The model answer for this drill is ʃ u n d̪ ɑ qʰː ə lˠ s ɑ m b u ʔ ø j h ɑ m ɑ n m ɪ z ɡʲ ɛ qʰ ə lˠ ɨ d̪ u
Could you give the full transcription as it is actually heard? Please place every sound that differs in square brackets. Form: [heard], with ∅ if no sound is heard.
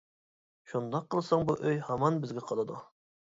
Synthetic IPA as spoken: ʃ u n d̪ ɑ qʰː ə lˠ s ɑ [ŋ] b u ʔ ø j h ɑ m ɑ n [b] ɪ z ɡʲ ɛ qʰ [ɑ] lˠ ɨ d̪ u